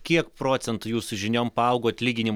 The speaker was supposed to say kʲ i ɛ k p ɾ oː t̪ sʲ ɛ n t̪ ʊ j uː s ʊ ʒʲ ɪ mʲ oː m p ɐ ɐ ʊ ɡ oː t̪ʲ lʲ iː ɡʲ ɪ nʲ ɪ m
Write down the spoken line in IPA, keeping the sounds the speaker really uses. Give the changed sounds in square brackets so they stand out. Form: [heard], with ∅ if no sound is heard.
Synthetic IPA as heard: kʲ i ɛ k p ɾ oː t̪ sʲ ɛ n t̪ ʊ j uː s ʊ ʒʲ ɪ [nʲ] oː m p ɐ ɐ ʊ ɡ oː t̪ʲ lʲ iː ɡʲ ɪ nʲ ɪ m